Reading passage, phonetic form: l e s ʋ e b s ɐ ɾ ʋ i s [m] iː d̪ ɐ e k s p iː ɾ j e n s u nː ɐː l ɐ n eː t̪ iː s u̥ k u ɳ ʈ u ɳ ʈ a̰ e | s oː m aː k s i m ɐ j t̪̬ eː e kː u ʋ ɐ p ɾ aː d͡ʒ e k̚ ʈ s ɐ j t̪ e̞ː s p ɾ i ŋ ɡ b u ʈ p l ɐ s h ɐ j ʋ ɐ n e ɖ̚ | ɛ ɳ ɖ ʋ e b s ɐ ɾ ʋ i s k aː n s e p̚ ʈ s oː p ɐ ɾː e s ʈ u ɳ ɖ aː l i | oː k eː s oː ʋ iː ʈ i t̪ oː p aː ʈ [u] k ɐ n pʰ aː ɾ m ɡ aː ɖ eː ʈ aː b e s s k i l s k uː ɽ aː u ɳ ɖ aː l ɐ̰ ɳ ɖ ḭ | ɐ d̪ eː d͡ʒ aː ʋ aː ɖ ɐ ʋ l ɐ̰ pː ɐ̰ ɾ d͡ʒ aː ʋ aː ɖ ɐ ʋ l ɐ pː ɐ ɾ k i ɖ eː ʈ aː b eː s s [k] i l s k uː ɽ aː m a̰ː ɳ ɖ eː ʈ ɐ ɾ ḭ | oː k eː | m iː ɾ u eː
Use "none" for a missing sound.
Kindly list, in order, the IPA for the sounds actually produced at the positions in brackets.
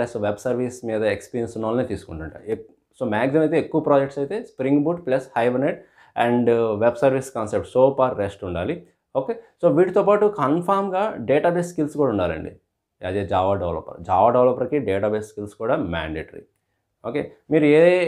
m, u, k

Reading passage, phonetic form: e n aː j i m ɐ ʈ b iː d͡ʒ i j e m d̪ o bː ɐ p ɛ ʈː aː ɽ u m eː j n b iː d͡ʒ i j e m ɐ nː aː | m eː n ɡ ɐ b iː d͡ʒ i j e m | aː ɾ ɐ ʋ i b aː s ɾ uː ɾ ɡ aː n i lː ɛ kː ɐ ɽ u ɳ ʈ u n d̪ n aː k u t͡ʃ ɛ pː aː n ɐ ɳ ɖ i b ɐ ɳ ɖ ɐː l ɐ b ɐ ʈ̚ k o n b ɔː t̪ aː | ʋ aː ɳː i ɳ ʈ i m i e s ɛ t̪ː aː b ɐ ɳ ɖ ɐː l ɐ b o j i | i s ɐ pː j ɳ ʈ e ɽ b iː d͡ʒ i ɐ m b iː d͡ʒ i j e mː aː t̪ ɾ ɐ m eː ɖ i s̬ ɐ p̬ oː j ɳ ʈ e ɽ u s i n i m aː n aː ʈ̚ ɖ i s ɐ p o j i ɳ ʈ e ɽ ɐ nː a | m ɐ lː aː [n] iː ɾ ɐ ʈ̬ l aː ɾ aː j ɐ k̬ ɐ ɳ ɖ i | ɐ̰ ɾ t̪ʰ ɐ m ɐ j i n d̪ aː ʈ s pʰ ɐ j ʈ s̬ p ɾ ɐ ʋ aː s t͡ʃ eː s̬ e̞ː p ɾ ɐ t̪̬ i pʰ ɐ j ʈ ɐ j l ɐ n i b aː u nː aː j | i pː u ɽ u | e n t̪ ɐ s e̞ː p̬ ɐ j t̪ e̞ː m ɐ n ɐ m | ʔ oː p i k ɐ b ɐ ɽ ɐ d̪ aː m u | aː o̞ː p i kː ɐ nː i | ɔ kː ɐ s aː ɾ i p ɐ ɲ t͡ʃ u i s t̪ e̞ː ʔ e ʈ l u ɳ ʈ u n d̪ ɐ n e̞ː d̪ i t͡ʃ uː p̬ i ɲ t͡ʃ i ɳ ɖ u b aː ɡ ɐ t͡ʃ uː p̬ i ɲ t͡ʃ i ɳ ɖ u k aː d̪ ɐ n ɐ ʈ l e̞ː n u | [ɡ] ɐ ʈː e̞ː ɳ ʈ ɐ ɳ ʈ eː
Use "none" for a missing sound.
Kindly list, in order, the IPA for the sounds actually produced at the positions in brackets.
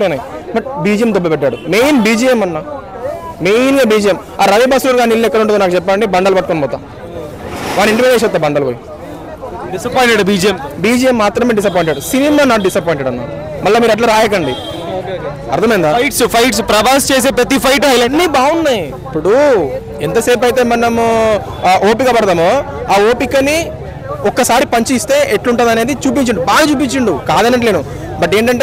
m, b

